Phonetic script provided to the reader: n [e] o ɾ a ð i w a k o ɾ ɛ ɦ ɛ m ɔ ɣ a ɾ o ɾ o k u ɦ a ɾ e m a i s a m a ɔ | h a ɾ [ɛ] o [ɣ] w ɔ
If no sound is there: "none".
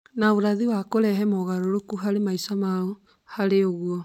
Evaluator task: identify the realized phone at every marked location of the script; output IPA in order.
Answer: a, e, ɣ

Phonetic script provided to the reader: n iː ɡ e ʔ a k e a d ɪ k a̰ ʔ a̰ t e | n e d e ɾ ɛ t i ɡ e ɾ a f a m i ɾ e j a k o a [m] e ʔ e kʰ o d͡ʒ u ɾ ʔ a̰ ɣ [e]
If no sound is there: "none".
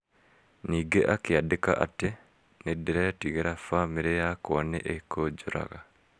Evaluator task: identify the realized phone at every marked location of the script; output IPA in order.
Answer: n, a

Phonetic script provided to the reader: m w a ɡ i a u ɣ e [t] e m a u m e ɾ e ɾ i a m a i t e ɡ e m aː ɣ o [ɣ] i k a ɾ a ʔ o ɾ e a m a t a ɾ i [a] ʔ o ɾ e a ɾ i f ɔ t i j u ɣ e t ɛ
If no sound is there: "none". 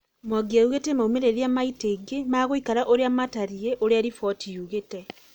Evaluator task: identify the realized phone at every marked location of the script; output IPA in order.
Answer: t, none, e

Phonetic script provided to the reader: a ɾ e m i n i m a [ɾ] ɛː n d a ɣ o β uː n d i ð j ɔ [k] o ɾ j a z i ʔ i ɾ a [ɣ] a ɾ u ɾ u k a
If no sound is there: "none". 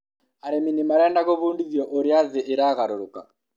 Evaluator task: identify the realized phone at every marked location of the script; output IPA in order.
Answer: ɾ, ʔ, ɣ

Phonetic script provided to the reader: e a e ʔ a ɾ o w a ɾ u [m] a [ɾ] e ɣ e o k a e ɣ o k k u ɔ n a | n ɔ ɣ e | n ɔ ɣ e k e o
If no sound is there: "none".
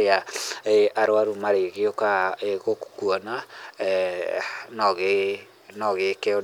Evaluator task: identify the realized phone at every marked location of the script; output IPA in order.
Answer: m, ɾ

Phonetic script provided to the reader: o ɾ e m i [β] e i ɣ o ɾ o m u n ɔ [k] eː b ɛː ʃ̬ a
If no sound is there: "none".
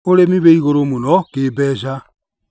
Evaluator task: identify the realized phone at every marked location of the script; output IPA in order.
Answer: β, k

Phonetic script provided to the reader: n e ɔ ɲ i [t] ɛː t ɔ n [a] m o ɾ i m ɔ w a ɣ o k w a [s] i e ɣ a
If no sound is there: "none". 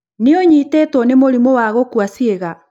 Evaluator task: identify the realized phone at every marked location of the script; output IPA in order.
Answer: t, e, s

